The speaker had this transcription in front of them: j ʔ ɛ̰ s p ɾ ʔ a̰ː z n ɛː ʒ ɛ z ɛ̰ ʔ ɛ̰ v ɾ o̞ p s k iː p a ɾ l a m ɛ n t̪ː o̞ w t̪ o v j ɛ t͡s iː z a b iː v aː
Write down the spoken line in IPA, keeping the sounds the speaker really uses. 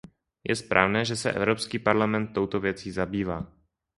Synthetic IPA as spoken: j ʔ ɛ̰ s p ɾ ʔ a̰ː v n ɛː ʒ ɛ s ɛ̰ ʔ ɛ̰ v ɾ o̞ p s k iː p a ɾ l a m ɛ n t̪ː o̞ w t̪ o v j ɛ t͡s iː z a b iː v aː